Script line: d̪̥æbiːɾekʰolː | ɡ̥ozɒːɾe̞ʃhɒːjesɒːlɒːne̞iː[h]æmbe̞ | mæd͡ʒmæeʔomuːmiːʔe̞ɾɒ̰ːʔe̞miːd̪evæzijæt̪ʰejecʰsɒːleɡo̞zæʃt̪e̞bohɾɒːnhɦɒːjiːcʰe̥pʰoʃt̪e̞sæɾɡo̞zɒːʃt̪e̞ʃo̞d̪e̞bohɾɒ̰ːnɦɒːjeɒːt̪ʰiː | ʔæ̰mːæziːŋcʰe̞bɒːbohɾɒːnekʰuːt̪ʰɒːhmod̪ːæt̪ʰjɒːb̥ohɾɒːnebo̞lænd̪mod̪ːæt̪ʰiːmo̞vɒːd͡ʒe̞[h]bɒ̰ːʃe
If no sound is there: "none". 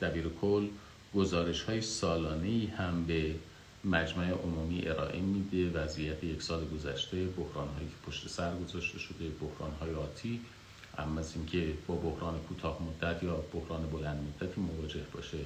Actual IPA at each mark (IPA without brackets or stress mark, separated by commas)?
h, h